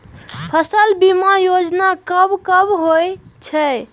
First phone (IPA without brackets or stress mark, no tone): pʰ